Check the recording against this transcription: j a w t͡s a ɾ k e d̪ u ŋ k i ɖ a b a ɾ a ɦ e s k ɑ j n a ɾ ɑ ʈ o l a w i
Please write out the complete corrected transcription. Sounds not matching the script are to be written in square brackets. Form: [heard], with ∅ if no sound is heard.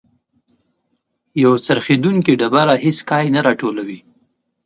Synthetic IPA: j a w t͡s a ɾ [x] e d̪ u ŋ k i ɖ a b a ɾ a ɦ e s k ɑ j n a ɾ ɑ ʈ o l a w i